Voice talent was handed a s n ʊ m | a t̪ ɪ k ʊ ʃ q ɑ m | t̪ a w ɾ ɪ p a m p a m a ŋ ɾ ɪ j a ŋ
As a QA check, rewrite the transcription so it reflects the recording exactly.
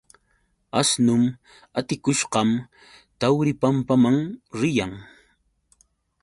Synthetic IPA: a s n ʊ m | a t̪ ɪ k ʊ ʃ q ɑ m | t̪ a w ɾ ɪ p a m p a m a ŋ ɾ ɪ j a ŋ